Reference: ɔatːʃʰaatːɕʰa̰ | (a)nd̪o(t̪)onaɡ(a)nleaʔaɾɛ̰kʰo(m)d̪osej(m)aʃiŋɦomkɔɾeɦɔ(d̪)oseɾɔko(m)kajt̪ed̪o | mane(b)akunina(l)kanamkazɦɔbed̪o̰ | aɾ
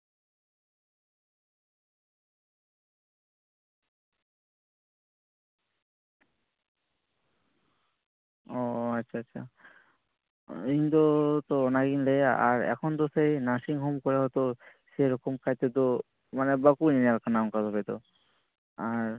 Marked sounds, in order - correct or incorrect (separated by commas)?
incorrect, correct, incorrect, incorrect, incorrect, incorrect, correct, correct, correct